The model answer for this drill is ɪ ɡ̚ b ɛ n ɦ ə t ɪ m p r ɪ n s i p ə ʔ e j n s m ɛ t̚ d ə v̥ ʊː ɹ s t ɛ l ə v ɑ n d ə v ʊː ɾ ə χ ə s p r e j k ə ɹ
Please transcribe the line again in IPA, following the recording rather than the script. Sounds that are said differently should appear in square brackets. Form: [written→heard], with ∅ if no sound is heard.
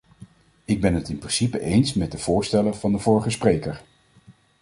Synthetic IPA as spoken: ɪ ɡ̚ b ɛ n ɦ ə t ɪ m p r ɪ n s i p ə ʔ e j n s m ɛ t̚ d ə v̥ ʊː ɹ s t ɛ l ə v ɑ n d ə v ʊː [ɾ→ɹ] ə χ ə s p r e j k ə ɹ